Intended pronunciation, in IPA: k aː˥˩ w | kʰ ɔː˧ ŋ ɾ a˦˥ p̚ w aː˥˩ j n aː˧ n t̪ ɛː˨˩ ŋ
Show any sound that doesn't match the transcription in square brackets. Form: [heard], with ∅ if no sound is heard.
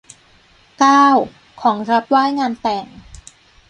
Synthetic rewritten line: k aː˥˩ w | kʰ [ɔː˩˦] ŋ ɾ a˦˥ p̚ w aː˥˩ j [ŋ] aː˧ n t̪ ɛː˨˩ ŋ